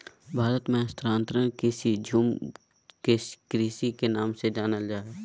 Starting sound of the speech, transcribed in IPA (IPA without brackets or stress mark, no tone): bʱ